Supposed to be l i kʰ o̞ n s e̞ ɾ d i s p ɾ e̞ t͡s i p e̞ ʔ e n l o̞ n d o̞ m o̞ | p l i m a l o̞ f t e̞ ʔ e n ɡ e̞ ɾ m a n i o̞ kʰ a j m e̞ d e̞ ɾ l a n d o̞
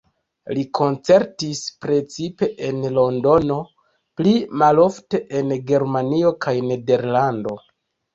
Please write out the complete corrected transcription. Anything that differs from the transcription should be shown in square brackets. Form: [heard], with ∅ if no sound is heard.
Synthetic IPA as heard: l i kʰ o̞ n [t͡s] e̞ ɾ [t] i s p ɾ e̞ t͡s i p e̞ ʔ e n l o̞ n d o̞ [n] o̞ | p l i m a l o̞ f t e̞ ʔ e n ɡ e̞ ɾ m a n i o̞ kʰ a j [n] e̞ d e̞ ɾ l a n d o̞